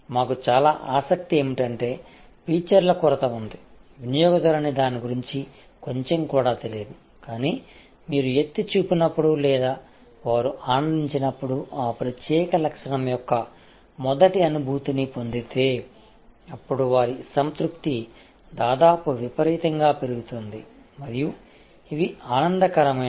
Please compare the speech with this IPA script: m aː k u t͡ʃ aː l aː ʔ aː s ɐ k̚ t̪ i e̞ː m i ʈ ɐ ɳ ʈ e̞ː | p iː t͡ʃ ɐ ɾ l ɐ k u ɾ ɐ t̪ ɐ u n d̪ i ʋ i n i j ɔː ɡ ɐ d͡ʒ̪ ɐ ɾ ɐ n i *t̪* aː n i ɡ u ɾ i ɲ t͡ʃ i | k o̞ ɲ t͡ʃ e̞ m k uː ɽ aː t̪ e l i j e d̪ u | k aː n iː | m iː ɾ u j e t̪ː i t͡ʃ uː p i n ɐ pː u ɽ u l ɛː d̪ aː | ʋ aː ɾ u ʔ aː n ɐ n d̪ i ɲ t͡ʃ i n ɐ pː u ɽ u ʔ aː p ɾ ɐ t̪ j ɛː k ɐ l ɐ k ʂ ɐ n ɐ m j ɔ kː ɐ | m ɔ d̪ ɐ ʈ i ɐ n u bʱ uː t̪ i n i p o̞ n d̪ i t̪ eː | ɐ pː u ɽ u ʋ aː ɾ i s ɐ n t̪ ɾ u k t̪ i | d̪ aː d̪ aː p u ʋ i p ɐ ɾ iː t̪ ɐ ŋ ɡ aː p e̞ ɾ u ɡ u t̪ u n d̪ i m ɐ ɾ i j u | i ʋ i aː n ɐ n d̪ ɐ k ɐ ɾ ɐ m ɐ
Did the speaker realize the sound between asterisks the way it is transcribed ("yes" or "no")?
no